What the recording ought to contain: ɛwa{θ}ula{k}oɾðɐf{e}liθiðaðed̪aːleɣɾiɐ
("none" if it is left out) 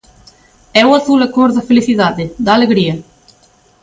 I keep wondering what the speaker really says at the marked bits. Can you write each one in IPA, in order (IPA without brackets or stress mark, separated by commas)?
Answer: θ, k, e